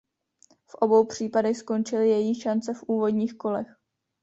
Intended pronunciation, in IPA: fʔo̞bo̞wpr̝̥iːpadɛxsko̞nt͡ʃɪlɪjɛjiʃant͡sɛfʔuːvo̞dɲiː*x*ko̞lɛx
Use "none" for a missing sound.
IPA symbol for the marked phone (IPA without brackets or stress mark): x